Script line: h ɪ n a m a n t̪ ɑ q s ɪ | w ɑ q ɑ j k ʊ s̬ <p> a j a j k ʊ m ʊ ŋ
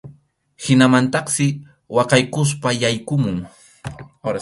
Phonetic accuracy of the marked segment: correct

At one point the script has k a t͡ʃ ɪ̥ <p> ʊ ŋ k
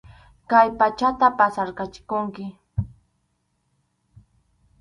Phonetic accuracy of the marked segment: incorrect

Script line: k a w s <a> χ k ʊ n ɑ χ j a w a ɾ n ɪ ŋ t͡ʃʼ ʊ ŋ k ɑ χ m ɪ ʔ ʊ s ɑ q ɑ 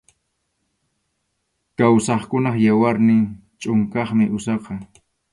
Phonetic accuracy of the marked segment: incorrect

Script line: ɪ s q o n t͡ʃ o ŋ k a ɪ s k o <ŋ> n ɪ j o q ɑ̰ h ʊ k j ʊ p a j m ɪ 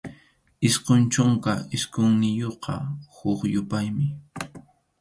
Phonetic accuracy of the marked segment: correct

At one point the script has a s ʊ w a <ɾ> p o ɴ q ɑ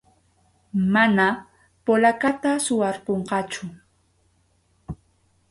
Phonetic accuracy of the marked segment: correct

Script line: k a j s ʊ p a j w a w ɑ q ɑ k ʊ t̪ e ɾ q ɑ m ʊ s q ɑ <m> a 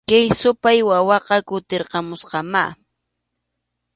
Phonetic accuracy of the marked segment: correct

